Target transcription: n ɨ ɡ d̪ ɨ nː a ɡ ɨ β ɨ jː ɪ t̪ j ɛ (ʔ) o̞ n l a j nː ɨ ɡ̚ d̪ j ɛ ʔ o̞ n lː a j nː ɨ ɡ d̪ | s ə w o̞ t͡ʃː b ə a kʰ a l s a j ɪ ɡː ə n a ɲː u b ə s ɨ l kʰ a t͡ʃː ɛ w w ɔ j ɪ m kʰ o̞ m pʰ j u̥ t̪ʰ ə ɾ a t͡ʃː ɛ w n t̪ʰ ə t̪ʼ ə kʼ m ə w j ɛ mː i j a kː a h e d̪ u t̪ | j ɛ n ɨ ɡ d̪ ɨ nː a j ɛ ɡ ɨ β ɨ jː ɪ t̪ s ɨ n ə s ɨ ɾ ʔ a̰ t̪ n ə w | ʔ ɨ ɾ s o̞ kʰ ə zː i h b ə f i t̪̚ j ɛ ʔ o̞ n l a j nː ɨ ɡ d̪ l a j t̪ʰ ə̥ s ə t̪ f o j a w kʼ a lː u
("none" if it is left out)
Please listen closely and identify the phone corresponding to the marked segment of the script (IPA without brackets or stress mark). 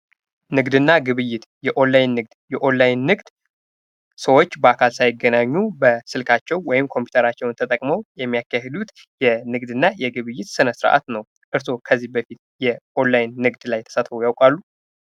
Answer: ʔ